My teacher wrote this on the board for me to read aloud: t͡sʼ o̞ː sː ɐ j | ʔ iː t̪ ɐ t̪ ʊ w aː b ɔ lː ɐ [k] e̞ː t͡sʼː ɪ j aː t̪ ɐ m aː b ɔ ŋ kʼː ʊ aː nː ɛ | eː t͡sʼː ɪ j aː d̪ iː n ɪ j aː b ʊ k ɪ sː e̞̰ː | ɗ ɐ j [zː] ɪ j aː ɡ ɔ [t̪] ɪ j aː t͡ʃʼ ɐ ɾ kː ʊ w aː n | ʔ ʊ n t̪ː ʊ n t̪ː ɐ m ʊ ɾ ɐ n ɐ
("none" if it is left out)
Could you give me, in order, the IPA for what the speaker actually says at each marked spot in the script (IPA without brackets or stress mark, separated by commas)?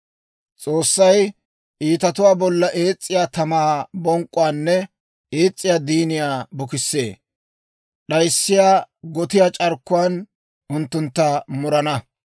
ʔ, sː, t̪